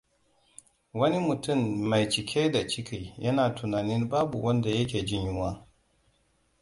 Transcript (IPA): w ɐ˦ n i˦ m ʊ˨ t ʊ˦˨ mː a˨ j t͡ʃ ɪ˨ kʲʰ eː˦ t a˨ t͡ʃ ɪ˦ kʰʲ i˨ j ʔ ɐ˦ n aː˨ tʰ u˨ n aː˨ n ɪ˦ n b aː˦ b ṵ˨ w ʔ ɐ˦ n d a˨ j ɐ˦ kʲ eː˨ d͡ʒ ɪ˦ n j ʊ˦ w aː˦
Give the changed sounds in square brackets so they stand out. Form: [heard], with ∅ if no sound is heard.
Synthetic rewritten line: w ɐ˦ n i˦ m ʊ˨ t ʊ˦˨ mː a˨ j t͡ʃ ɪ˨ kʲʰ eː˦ [d] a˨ t͡ʃ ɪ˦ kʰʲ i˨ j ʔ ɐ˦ n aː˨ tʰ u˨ n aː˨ n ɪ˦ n b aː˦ b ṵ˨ w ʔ ɐ˦ n d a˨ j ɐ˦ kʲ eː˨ d͡ʒ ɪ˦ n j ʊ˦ w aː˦

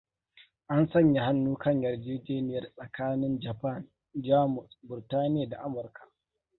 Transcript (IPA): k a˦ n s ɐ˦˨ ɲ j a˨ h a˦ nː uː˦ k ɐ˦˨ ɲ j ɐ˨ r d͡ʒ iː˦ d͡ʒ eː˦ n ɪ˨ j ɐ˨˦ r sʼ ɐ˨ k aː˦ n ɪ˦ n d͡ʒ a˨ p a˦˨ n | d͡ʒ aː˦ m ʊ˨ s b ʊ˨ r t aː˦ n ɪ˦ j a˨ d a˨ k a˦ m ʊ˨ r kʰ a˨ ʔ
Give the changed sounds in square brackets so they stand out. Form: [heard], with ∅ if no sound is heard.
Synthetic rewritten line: [ʔ] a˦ n s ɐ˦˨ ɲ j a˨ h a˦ nː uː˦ k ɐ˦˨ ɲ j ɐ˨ r d͡ʒ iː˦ d͡ʒ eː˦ n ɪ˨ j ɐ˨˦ r sʼ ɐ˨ k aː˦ n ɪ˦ n d͡ʒ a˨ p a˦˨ n | d͡ʒ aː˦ m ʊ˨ s b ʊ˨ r t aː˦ n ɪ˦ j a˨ d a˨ [ʔ] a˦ m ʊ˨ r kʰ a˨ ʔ

